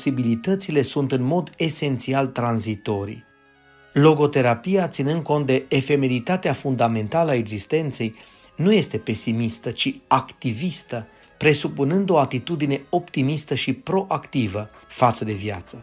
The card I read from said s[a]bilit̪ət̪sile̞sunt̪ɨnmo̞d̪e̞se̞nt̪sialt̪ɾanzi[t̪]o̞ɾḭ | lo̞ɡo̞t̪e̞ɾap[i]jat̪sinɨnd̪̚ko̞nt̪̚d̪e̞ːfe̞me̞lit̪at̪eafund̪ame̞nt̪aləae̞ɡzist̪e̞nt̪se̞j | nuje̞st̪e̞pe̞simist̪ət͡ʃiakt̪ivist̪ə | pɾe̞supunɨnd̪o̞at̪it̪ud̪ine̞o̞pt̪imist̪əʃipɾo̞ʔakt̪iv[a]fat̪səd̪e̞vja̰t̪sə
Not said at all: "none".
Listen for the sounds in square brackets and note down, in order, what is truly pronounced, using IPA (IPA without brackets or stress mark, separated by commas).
i, t̪, i, ə